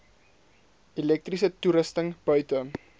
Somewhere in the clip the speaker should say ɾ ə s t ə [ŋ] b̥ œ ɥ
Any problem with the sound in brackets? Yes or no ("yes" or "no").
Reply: no